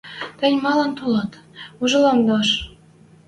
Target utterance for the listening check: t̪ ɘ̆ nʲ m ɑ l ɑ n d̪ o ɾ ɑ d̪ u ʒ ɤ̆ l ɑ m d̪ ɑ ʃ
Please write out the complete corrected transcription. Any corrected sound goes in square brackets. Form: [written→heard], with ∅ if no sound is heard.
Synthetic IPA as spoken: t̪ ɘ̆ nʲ m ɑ l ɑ n [d̪→t̪] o [ɾ→l] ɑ [d̪→t̪] u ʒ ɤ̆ l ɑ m d̪ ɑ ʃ